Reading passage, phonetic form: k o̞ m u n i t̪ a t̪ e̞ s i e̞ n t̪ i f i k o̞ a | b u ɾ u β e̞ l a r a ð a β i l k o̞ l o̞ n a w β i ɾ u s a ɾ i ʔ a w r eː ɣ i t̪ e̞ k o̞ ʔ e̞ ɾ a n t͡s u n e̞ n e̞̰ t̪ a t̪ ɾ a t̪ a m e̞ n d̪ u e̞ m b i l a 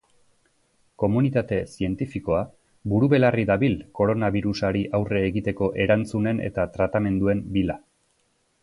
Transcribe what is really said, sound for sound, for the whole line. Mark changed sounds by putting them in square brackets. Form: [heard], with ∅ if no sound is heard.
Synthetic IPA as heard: k o̞ m u n i t̪ a t̪ e̞ s i e̞ n t̪ i f i k o̞ a | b u ɾ u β e̞ l a r [i] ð a β i l k o̞ [ɾ] o̞ n a [∅] β i ɾ u s a ɾ i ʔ a w r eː ɣ i t̪ e̞ k o̞ ʔ e̞ ɾ a n t͡s u n e̞ n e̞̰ t̪ a t̪ ɾ a t̪ a m e̞ n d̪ u e̞ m b i l a